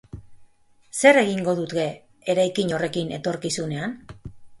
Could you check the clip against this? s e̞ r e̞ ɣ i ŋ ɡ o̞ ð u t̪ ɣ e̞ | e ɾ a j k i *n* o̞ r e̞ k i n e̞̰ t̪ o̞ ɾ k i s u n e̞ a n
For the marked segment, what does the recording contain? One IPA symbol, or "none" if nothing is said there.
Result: ɲ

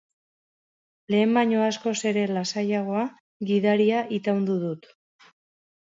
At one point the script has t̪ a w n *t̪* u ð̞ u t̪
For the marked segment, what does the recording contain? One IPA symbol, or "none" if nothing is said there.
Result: d̪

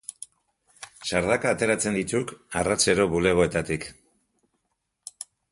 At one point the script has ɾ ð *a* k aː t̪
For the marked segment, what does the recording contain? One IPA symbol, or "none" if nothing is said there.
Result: a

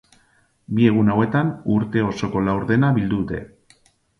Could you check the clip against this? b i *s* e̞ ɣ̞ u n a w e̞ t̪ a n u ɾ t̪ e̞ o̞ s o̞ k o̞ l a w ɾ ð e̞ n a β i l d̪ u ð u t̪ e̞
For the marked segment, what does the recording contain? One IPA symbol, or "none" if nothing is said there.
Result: none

